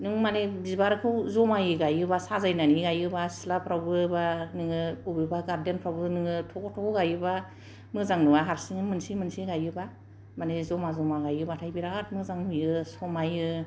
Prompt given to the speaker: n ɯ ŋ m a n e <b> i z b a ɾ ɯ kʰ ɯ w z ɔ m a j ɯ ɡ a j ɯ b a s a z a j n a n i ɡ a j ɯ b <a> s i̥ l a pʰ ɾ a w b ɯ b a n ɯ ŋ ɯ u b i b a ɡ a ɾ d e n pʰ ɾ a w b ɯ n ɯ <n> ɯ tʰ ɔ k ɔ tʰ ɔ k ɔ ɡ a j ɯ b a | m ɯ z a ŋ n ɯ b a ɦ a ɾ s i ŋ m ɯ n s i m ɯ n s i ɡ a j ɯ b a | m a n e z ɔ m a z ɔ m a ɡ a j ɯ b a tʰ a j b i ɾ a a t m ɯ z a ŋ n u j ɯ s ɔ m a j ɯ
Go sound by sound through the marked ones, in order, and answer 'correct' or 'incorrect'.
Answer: correct, correct, incorrect: ŋ

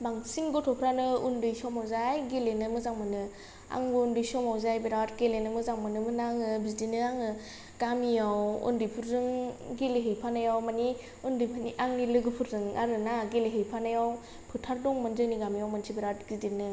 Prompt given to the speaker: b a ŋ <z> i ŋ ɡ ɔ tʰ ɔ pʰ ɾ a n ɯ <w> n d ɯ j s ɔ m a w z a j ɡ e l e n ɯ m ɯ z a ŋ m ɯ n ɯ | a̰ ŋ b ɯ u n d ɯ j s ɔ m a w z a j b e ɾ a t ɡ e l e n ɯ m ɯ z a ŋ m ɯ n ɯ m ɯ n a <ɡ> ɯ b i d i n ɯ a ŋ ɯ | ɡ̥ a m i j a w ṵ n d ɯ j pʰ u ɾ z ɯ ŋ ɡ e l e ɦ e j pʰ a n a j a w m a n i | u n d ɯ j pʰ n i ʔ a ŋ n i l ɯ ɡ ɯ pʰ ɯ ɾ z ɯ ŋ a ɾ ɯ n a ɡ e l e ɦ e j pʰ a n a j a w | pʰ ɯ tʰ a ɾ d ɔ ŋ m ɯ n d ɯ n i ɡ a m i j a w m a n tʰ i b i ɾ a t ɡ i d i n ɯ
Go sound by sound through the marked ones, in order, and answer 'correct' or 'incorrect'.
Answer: incorrect: s, incorrect: u, incorrect: ŋ

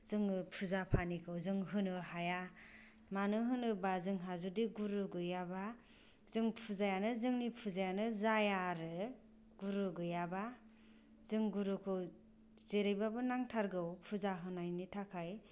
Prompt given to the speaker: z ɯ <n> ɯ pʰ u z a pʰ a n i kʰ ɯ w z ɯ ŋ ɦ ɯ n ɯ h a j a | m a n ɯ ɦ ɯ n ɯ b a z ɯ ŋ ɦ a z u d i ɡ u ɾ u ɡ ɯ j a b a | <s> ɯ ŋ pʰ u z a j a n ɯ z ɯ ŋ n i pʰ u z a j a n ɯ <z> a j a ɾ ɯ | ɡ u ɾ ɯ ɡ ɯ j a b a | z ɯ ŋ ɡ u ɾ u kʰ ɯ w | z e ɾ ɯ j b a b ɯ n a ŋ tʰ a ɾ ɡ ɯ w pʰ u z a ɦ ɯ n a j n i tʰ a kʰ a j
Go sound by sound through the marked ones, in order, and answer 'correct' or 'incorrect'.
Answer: incorrect: ŋ, incorrect: z, correct

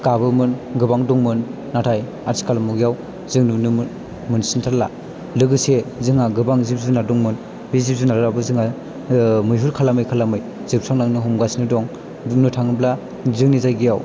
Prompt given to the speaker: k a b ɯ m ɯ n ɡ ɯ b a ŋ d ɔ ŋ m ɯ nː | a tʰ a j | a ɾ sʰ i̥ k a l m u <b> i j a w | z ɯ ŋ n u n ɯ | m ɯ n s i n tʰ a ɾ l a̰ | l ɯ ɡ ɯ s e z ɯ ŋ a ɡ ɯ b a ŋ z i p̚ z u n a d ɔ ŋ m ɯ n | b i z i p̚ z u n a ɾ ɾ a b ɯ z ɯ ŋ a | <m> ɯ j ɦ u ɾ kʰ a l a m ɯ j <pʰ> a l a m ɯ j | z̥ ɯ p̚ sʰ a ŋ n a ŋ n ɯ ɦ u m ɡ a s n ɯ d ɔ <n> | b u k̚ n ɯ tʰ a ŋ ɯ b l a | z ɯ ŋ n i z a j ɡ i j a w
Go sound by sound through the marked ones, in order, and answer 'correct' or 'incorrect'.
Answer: incorrect: ɡ, correct, incorrect: kʰ, incorrect: ŋ

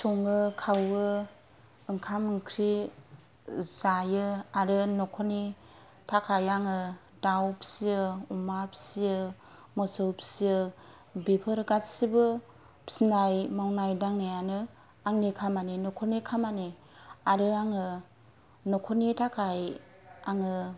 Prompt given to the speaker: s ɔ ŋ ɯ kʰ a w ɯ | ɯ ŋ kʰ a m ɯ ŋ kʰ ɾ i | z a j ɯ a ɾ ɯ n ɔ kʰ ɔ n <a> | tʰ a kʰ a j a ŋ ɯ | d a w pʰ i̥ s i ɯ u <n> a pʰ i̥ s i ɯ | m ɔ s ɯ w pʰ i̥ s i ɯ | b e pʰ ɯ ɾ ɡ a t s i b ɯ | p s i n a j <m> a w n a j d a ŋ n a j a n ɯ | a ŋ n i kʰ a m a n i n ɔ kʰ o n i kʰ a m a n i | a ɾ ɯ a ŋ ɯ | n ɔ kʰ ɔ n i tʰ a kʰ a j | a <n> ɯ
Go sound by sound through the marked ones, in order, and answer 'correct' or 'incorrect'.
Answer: incorrect: i, incorrect: m, correct, incorrect: ŋ

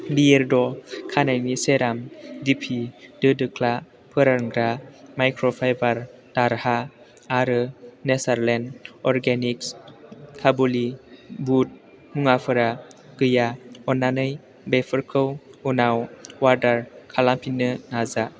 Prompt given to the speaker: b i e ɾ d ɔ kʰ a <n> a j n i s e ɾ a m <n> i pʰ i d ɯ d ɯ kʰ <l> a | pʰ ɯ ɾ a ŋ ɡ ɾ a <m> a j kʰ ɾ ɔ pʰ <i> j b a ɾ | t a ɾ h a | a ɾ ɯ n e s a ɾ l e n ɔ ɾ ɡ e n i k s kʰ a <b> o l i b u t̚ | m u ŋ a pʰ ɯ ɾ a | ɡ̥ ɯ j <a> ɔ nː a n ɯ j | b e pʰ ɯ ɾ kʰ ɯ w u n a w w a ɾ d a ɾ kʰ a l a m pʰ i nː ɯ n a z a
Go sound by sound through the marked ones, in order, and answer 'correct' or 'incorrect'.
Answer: correct, incorrect: d, correct, correct, incorrect: a, correct, correct

